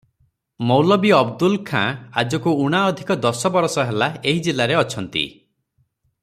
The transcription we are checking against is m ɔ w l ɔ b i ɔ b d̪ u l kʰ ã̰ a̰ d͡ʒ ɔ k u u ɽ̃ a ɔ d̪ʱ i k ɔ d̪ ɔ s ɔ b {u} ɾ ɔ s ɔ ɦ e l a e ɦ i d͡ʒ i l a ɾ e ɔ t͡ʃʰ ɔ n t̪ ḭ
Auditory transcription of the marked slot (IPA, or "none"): ɔ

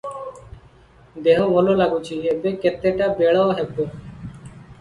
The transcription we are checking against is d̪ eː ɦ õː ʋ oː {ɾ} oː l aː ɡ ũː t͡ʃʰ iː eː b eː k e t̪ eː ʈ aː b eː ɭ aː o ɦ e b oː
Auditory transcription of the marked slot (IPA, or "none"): l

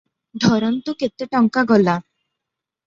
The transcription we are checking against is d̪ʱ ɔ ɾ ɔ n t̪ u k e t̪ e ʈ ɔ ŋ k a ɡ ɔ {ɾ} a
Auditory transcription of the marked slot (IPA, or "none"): l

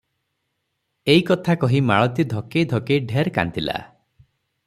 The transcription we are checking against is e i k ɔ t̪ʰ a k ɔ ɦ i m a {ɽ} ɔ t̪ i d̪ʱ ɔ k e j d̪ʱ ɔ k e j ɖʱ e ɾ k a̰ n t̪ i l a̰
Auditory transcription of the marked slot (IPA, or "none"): ɭ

